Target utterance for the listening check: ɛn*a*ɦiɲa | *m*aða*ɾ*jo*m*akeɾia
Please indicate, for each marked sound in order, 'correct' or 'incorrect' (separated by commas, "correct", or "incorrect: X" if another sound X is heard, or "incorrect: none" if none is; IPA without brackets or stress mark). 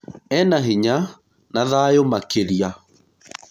correct, incorrect: n, incorrect: none, correct